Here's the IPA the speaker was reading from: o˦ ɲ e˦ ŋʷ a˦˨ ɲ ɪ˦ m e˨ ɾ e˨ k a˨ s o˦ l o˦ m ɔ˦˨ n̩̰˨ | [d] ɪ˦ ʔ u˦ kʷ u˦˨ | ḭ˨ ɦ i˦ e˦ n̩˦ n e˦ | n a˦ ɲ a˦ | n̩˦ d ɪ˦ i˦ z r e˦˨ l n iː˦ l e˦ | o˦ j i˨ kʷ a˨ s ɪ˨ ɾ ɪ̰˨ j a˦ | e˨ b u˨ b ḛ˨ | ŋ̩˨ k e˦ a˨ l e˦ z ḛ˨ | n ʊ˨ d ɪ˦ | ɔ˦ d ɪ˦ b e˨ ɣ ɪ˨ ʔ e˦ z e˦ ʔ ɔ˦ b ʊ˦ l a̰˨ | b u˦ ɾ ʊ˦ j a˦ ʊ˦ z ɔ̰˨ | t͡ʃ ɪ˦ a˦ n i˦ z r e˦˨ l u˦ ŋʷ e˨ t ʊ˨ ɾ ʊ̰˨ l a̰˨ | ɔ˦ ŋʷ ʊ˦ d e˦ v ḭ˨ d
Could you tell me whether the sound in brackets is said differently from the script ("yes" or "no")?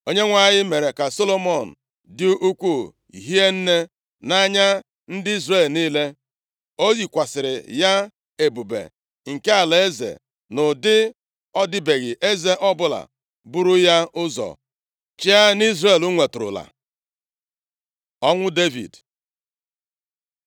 no